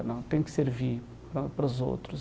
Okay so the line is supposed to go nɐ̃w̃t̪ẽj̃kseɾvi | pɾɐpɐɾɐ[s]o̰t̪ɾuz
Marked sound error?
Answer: yes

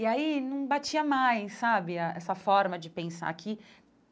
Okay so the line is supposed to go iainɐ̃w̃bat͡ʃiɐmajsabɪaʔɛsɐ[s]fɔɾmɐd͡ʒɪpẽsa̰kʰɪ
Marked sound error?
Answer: yes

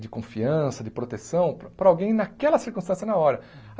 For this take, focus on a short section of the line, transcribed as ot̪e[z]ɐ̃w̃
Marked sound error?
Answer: yes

